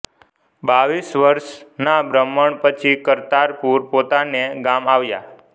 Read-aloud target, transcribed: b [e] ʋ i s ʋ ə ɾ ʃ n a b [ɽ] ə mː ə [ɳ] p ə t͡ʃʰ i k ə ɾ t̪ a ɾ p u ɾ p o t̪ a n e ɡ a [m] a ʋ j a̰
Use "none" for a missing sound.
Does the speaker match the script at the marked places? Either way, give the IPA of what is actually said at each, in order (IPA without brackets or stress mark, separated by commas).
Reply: a, ɾ, ɳ, m